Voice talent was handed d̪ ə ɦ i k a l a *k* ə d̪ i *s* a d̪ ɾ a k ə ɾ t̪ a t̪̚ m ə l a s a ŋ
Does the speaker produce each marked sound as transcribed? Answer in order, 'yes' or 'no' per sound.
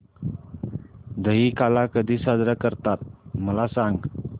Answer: yes, yes

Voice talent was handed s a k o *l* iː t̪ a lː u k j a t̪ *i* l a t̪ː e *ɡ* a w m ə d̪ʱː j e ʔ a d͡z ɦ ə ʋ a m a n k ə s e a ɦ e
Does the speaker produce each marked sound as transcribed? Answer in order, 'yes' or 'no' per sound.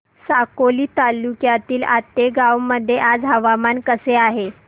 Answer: yes, no, yes

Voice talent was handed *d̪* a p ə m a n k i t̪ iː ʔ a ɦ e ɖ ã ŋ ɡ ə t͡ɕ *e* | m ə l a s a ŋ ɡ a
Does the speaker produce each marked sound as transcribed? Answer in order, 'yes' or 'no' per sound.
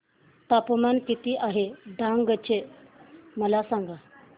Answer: no, yes

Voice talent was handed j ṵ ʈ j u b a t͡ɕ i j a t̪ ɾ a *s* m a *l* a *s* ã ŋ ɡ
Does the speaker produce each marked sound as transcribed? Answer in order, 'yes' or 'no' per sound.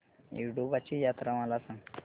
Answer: no, yes, yes

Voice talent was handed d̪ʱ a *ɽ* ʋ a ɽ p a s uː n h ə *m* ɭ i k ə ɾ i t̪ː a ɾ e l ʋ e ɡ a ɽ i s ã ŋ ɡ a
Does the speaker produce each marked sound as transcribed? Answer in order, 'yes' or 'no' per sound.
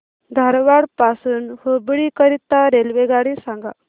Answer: no, no

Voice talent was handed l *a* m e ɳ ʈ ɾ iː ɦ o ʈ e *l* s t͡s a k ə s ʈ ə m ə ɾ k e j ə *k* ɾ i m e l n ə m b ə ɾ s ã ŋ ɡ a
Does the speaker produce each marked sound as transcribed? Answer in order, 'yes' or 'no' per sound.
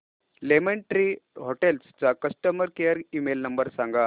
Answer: no, yes, no

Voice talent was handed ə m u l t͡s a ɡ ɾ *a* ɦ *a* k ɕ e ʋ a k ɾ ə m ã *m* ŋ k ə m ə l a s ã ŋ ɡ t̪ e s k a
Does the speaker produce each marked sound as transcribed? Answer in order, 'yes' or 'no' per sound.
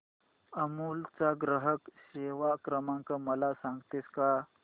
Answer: no, no, no

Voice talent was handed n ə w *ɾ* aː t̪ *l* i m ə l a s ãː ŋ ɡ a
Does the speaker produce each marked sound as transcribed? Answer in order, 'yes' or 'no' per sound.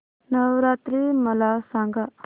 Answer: yes, no

